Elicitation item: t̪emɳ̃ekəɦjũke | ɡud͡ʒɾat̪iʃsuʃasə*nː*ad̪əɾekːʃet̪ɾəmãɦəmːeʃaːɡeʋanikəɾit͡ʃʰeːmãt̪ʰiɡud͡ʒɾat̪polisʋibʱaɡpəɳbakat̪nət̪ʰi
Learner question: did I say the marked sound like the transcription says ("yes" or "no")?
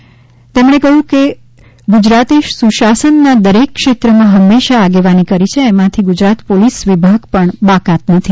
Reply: yes